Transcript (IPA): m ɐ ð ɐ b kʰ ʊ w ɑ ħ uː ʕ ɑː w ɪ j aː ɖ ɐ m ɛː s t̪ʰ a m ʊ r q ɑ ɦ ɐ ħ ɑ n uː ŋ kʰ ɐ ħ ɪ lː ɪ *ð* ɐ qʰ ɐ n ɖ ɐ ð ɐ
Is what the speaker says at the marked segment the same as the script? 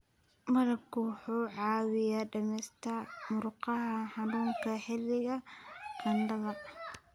no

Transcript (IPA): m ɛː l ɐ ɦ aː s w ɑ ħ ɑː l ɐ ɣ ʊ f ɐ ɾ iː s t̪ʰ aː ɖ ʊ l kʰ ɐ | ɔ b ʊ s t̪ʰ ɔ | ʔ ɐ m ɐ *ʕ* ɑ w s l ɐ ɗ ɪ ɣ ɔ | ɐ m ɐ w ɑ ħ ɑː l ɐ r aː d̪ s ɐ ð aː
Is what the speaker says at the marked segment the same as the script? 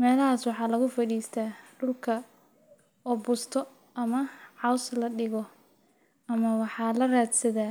yes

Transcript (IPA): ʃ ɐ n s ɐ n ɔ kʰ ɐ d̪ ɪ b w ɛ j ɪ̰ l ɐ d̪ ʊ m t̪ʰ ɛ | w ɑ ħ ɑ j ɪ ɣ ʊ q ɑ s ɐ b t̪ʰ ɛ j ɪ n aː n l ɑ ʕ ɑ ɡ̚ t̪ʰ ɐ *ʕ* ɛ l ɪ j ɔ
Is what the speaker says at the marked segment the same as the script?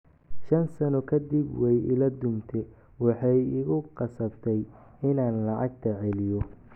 yes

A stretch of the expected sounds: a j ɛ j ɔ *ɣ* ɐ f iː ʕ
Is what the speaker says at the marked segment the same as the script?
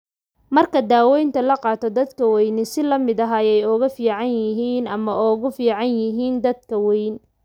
yes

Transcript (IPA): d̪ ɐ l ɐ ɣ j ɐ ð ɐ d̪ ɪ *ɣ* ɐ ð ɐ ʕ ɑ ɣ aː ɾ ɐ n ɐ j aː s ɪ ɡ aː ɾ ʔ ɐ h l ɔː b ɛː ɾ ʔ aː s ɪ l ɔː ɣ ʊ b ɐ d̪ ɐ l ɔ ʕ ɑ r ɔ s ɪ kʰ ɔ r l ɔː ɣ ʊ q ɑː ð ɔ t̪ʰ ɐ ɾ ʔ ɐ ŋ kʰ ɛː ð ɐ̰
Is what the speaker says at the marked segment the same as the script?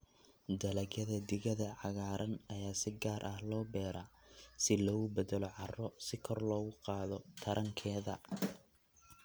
yes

